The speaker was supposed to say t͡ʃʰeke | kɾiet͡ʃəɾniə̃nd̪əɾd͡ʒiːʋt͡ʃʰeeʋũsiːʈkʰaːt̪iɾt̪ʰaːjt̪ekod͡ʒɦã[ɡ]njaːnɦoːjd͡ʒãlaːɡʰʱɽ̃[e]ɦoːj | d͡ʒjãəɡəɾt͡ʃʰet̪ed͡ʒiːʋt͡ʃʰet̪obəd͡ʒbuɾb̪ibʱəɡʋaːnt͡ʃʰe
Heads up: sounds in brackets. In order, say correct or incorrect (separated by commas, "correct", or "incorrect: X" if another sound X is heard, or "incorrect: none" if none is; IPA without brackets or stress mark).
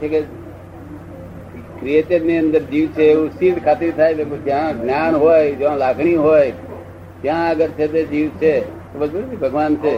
correct, incorrect: i